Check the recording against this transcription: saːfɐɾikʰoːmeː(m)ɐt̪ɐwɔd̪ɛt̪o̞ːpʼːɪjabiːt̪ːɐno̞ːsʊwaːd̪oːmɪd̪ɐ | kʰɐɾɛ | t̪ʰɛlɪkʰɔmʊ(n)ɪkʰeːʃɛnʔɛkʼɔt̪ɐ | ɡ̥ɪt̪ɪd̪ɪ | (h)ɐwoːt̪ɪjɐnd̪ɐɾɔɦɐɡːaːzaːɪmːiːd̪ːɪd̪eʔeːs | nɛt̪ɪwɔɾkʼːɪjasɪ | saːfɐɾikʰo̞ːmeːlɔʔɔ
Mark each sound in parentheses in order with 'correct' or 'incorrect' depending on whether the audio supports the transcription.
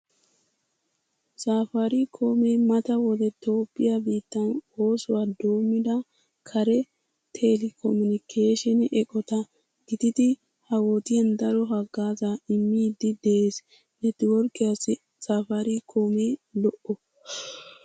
correct, correct, correct

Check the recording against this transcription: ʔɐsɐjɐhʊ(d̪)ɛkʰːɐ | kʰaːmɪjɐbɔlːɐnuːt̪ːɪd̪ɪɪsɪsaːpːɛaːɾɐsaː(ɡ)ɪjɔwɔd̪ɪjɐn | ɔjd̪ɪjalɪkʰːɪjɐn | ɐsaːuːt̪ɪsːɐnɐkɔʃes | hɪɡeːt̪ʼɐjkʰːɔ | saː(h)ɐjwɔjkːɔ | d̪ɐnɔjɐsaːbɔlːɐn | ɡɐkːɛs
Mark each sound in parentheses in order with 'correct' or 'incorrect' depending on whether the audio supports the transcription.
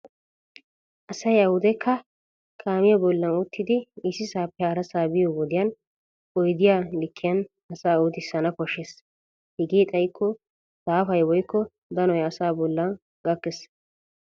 correct, incorrect, incorrect

